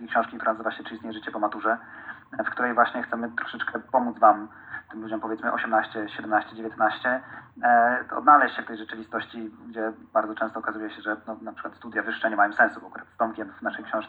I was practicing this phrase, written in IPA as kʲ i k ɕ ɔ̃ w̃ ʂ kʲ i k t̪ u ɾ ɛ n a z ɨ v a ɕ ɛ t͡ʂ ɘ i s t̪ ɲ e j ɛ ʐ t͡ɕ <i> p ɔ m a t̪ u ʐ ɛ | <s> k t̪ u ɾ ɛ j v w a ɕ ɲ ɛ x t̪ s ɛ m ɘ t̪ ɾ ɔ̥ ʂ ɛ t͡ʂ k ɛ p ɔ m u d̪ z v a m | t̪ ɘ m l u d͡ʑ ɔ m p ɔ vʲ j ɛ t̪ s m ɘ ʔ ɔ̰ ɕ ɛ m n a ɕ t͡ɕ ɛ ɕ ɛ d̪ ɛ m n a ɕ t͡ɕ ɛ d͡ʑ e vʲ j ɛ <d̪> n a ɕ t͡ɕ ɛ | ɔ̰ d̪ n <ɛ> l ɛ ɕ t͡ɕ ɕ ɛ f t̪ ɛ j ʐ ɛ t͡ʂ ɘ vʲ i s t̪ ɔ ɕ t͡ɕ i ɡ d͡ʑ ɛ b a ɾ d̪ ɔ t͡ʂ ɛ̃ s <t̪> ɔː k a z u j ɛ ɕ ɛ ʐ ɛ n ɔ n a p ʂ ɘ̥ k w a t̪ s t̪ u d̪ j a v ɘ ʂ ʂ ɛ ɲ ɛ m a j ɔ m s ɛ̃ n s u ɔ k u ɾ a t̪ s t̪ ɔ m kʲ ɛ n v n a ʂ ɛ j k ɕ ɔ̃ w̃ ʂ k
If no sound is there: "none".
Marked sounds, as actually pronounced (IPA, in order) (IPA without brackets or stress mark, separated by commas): ɛ, f, t̪, a, t̪